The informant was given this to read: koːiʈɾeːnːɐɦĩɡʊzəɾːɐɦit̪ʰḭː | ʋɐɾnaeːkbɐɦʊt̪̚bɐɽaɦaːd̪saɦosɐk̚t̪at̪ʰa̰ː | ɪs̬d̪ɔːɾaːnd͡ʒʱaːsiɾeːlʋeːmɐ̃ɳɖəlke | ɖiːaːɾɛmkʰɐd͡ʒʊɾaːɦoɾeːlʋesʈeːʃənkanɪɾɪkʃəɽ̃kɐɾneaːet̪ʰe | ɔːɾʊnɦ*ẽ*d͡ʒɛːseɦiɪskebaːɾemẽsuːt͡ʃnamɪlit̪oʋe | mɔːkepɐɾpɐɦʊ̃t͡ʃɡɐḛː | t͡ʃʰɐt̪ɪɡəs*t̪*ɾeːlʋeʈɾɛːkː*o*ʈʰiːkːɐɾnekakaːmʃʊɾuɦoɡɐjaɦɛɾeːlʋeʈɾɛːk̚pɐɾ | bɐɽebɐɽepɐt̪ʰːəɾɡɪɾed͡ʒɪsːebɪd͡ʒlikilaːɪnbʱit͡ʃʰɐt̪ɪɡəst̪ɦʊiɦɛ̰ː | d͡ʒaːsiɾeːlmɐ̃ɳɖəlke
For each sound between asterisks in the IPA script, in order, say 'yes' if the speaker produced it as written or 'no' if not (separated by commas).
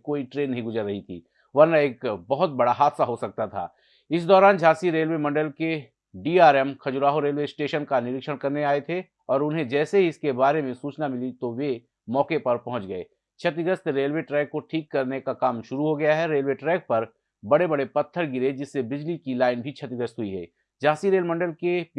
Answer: yes, yes, yes